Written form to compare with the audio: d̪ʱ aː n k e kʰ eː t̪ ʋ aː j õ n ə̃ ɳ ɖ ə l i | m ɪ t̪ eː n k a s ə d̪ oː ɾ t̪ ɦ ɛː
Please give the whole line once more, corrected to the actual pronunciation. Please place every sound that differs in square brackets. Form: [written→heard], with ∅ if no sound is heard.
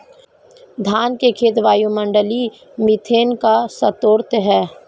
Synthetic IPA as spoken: d̪ʱ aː n k e kʰ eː t̪ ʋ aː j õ [n→m] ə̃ ɳ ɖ ə l i | m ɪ [t̪→t̪ʰ] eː n k a s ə [d̪→t̪] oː ɾ t̪ ɦ ɛː